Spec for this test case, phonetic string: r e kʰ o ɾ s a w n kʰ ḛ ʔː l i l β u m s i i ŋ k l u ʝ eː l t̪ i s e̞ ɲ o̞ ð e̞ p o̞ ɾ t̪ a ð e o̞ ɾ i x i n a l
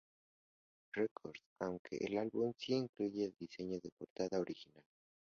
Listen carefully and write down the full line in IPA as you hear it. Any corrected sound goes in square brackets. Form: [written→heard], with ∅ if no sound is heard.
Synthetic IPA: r e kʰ o ɾ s a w [n→ŋ] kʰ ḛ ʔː l [i→a] l β u m s i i ŋ k l u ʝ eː l [t̪→d̪] i s e̞ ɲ o̞ ð e̞ p o̞ ɾ t̪ a ð [e→a] o̞ ɾ i x i n a l

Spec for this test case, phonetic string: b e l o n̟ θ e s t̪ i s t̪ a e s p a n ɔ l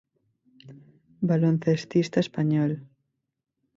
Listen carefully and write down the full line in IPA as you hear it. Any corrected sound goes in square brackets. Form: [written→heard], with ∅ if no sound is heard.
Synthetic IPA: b [e→a] l o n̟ θ e s t̪ i s t̪ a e s p a [n→ɲ] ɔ l

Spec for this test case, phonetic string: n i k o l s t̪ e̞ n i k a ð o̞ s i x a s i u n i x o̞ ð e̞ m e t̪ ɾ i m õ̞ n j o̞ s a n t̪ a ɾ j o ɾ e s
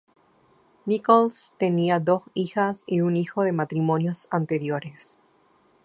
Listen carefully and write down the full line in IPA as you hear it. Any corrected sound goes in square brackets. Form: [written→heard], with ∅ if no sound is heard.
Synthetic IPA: n i k o l s t̪ e̞ n i [k→∅] a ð o̞ s i x a s i u n i x o̞ ð e̞ m [e→a] t̪ ɾ i m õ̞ n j o̞ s a n t̪ [a→e] ɾ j o ɾ e s

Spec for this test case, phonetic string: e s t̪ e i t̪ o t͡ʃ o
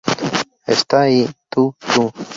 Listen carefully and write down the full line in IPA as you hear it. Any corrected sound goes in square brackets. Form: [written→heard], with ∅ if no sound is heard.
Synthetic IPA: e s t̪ [e→a] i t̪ [o→u] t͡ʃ [o→u]

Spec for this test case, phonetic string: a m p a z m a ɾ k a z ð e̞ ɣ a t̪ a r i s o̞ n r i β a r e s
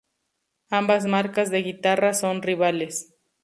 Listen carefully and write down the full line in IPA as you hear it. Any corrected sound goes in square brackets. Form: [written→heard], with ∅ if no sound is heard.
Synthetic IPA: a m [p→b] a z m a ɾ k a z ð e̞ ɣ [a→i] t̪ a r [i→a] s o̞ n r i β a [r→l] e s

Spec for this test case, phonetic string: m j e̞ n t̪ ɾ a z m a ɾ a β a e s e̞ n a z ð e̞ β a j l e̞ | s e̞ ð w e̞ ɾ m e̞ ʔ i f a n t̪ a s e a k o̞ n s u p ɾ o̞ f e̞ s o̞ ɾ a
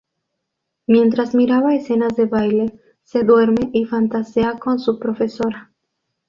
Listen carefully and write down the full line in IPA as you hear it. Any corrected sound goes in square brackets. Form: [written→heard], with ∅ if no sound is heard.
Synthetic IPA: m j e̞ n t̪ ɾ a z m [a→i] ɾ a β a e s e̞ n a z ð e̞ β a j l e̞ | s e̞ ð w e̞ ɾ m e̞ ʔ i f a n t̪ a s e a k o̞ n s u p ɾ o̞ f e̞ s o̞ ɾ a

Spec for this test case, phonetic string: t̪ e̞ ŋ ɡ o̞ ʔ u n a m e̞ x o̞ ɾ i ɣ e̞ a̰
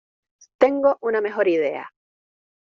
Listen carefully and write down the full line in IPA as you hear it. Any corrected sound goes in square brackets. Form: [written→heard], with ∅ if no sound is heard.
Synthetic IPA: t̪ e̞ ŋ ɡ o̞ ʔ u n a m e̞ x o̞ ɾ i [ɣ→ð] e̞ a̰

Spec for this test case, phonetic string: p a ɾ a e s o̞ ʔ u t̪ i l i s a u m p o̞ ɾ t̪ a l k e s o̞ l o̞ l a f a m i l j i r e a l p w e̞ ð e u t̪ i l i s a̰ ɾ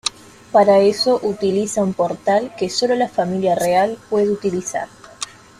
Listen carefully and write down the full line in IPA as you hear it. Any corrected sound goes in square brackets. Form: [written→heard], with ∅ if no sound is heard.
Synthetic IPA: p a ɾ a e s o̞ ʔ u t̪ i l i s a u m p o̞ ɾ t̪ a l k e s o̞ l o̞ l a f a m i l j [i→a] r e a l p w e̞ ð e u t̪ i l i s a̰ ɾ

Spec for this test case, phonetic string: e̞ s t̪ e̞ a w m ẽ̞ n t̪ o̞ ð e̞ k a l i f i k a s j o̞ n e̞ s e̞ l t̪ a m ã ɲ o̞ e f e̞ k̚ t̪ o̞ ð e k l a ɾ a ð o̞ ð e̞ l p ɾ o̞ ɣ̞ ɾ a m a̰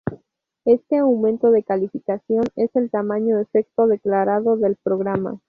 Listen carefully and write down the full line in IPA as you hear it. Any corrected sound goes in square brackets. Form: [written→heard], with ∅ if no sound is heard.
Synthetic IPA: e̞ s t̪ e̞ a w m ẽ̞ n t̪ o̞ ð e̞ k a l i f i k a s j o̞ n e̞ s e̞ l t̪ a m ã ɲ o̞ e f e̞ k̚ t̪ o̞ ð e k l a ɾ a ð o̞ ð e̞ l p ɾ o̞ ɣ̞ ɾ a m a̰

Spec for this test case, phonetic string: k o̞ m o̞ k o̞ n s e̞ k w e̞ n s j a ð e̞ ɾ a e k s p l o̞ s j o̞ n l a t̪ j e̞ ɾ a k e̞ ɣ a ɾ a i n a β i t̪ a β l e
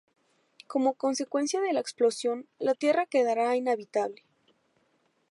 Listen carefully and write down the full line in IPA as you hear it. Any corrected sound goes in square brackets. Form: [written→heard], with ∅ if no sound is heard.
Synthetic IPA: k o̞ m o̞ k o̞ n s e̞ k w e̞ n s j a ð e̞ [ɾ→l] a e k s p l o̞ s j o̞ n l a t̪ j e̞ [ɾ→r] a k e̞ [ɣ→ð] a ɾ a i n a β i t̪ a β l e

